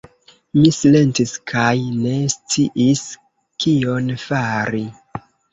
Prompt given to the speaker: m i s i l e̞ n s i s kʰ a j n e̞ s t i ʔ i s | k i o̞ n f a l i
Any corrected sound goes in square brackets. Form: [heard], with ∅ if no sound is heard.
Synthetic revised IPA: m i s i l e̞ n [t] i s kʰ a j n e̞ s [t͡s] i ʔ i s | k i o̞ n f a [ɾ] i